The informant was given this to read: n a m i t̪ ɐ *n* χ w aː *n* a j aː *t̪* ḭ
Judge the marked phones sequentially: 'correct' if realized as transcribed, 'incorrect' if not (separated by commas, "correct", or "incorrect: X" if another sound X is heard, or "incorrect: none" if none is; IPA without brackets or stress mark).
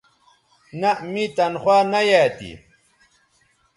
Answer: correct, correct, correct